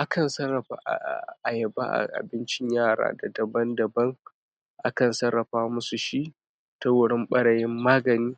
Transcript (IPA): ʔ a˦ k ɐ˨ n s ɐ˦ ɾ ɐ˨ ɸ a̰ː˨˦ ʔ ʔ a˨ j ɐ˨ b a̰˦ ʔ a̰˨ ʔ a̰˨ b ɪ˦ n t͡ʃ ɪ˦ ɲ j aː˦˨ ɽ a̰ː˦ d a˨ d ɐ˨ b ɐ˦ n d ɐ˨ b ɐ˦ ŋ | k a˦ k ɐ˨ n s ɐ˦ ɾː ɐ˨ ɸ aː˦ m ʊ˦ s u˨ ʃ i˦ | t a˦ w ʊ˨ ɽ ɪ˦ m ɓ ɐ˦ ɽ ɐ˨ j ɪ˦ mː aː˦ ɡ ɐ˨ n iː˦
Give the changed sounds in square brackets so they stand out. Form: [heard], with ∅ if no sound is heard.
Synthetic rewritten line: ʔ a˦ k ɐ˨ n s ɐ˦ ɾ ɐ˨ ɸ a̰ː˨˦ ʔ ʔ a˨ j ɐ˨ b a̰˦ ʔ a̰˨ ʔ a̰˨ b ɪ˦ n t͡ʃ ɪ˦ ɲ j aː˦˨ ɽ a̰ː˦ d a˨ d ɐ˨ b ɐ˦ n d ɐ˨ b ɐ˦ ŋ | [ʔ] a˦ k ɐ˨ n s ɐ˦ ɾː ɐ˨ ɸ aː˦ m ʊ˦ s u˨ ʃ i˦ | t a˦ w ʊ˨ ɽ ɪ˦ m ɓ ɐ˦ ɽ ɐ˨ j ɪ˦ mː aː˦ ɡ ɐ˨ n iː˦

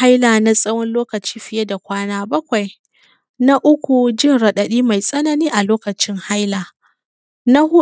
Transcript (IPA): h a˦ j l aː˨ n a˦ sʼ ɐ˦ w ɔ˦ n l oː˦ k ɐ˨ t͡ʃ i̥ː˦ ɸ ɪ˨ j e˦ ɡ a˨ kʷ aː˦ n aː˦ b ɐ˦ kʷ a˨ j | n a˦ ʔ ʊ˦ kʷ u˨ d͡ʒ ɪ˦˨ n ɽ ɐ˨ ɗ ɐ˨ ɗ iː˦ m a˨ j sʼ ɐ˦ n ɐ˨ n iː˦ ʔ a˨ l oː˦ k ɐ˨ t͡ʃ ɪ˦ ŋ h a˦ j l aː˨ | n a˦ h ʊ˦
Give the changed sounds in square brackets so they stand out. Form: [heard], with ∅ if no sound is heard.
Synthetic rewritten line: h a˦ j l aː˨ n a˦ sʼ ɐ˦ w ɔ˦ n l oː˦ k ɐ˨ t͡ʃ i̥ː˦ ɸ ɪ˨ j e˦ [d] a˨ kʷ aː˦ n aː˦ b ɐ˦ kʷ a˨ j | n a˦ ʔ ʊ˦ kʷ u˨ d͡ʒ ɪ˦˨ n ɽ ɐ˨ ɗ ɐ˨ ɗ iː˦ m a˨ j sʼ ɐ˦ n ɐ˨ n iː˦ ʔ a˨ l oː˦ k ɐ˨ t͡ʃ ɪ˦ ŋ h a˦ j l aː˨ | n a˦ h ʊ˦

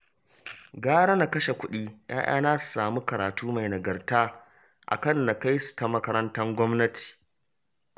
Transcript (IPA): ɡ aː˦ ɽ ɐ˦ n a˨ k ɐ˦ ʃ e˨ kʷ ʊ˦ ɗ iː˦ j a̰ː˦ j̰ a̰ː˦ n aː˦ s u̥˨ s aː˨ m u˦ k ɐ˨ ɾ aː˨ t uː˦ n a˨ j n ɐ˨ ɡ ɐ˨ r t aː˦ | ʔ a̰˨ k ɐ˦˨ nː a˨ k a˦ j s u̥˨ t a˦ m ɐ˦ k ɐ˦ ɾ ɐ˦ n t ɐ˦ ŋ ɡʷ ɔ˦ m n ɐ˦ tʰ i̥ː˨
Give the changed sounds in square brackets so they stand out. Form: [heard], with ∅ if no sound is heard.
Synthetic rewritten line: ɡ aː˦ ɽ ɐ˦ n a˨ k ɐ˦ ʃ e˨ kʷ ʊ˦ ɗ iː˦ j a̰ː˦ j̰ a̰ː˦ n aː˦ s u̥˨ s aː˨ m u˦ k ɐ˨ ɾ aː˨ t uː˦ [m] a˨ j n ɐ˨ ɡ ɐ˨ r t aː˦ | ʔ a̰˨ k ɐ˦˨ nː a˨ k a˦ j s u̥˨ t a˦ m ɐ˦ k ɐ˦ ɾ ɐ˦ n t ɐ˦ ŋ ɡʷ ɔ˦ m n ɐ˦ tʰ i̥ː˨

